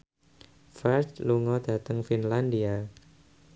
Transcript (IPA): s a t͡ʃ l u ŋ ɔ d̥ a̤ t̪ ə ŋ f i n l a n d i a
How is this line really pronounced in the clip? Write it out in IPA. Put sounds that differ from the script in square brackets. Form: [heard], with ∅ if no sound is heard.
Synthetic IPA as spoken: [f] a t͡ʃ l u ŋ ɔ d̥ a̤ t̪ ə ŋ f i n l a n d i a